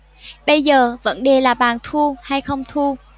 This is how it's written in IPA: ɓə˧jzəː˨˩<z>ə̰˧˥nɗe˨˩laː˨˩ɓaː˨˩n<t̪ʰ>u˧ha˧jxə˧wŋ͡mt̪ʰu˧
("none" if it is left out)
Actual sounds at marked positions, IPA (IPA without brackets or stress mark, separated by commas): v, t̪ʰ